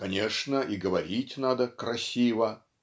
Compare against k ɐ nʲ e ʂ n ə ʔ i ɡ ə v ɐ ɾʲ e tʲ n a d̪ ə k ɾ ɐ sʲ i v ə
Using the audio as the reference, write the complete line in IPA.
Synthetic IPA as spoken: k ɐ nʲ e ʂ n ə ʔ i ɡ ə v ɐ ɾʲ i tʲ n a d̪ ə k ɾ ɐ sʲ i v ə